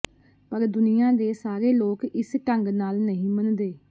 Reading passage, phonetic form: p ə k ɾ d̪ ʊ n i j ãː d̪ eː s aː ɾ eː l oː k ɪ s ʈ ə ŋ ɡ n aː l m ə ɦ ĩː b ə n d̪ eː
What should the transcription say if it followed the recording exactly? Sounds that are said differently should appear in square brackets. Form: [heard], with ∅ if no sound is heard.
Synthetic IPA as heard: p ə [∅] ɾ d̪ ʊ n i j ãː d̪ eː s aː ɾ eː l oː k ɪ s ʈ ə ŋ ɡ n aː l [n] ə ɦ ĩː [m] ə n d̪ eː